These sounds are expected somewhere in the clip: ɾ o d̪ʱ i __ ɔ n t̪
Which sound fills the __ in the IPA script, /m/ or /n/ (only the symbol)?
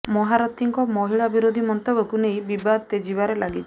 m